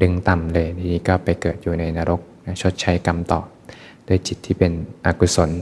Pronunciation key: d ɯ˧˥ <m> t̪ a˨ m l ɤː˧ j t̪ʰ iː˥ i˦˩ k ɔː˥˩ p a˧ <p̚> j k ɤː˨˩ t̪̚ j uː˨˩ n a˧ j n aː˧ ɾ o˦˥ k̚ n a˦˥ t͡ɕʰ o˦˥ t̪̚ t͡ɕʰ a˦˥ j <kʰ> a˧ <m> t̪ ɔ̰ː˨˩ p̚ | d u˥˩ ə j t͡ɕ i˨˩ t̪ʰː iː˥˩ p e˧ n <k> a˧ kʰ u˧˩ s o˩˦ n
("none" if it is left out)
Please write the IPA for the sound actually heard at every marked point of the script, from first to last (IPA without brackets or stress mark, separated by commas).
ŋ, none, k, m, ʔ